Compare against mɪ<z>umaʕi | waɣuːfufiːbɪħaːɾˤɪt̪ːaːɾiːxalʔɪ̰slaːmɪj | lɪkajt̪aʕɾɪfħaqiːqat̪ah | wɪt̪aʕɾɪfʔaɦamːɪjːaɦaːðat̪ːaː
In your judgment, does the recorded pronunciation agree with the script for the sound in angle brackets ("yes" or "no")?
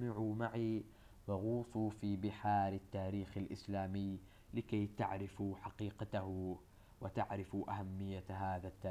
no